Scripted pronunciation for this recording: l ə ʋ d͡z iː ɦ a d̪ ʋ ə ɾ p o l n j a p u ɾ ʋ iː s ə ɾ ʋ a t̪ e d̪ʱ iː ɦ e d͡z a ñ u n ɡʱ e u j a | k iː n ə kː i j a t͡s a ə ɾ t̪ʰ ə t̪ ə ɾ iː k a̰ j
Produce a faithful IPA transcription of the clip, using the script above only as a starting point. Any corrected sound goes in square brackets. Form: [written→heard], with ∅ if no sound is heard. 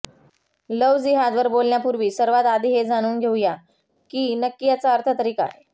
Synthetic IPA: l ə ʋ d͡z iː ɦ a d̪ ʋ ə ɾ [p→b] o l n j a p u ɾ ʋ iː s ə ɾ ʋ a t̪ [e→a] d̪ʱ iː ɦ e d͡z a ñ [u→uː] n ɡʱ e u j a | k iː n ə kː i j a t͡s a ə ɾ t̪ʰ ə t̪ ə ɾ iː k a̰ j